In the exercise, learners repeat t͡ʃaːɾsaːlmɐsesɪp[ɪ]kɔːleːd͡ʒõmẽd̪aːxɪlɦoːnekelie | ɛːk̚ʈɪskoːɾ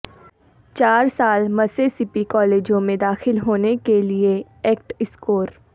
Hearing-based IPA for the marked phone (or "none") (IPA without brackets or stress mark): i